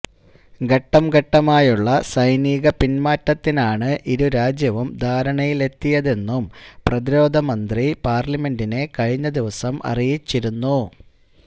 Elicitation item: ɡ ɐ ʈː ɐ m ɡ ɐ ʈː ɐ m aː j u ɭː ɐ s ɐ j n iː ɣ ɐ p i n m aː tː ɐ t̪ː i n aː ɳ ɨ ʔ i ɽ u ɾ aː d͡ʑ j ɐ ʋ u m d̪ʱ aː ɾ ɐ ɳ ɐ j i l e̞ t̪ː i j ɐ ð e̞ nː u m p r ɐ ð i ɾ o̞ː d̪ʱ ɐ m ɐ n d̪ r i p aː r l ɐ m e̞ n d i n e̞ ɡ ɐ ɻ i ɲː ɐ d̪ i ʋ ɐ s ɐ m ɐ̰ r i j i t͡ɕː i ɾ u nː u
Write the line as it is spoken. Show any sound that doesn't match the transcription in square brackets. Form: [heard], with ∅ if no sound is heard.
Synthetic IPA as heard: ɡ ɐ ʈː ɐ m ɡ ɐ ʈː ɐ m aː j u ɭː ɐ s ɐ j n iː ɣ ɐ p i n m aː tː ɐ t̪ː i n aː ɳ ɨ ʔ i [ɾ] u ɾ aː d͡ʑ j ɐ ʋ u m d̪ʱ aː ɾ ɐ ɳ ɐ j i l e̞ t̪ː i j ɐ ð e̞ nː u m p r ɐ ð i ɾ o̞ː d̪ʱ ɐ m ɐ n d̪ r i p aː r l ɐ m e̞ n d i n e̞ [k] ɐ ɻ i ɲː ɐ d̪ i ʋ ɐ s ɐ m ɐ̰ r i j i t͡ɕː i ɾ u nː u